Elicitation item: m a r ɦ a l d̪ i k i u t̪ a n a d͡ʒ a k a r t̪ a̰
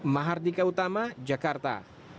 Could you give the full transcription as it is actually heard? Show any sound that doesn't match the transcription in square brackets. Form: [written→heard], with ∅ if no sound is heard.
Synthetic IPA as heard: m a [r→∅] ɦ a [l→r] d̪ i k [i→a] u t̪ a [n→m] a d͡ʒ a k a r t̪ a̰